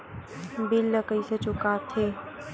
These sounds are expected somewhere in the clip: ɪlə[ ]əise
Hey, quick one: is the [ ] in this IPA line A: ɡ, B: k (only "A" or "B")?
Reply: B